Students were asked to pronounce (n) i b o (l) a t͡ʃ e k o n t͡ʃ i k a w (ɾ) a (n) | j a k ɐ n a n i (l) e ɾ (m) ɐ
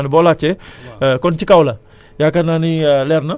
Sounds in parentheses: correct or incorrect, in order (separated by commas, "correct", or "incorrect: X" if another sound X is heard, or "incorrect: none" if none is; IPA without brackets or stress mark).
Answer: correct, correct, incorrect: l, incorrect: none, correct, incorrect: n